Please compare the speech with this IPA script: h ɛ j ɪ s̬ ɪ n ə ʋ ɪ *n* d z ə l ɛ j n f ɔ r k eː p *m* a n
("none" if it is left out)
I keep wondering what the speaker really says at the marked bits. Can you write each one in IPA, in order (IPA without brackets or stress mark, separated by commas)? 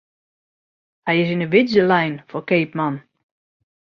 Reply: none, m